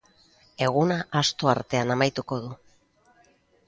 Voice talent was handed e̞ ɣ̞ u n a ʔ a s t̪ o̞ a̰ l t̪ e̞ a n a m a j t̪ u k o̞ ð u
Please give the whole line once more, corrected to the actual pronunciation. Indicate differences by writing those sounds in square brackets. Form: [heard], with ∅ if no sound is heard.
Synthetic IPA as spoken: e̞ ɣ̞ u n a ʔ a s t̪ o̞ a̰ [ɾ] t̪ e̞ a n a m a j t̪ u k o̞ ð u